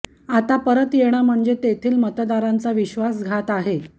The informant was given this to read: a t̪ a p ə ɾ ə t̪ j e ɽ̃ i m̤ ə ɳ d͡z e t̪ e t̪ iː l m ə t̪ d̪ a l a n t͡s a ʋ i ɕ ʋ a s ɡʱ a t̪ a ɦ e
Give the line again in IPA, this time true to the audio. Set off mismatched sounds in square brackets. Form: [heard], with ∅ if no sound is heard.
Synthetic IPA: a t̪ a p ə ɾ ə t̪ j e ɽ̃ [a] m̤ ə ɳ d͡z e t̪ e [t̪ʰ] iː l m ə t̪ d̪ a [ɾ] a n t͡s a ʋ i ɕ ʋ a s ɡʱ a t̪ a ɦ e